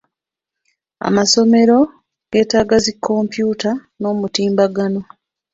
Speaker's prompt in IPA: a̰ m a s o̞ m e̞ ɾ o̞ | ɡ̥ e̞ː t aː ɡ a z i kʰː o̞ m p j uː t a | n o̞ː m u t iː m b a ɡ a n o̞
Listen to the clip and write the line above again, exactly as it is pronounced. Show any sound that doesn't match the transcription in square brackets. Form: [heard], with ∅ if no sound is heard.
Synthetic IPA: a̰ m a s o̞ m e̞ ɾ o̞ | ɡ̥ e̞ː t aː ɡ a z i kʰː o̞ m p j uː t a | n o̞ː m u t iː m b a ɡ a n o̞